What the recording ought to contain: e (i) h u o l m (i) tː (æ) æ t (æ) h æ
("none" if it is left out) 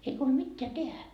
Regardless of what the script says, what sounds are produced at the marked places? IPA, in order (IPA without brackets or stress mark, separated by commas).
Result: i, i, e, e